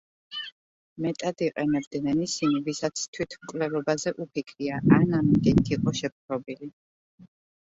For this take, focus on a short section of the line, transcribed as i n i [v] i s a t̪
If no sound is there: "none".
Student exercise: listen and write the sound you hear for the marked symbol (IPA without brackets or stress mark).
v